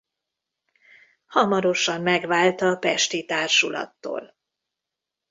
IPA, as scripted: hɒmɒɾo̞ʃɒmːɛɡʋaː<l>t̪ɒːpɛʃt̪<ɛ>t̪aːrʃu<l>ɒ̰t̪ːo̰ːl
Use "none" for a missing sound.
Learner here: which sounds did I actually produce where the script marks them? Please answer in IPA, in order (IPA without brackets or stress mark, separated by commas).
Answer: l, i, l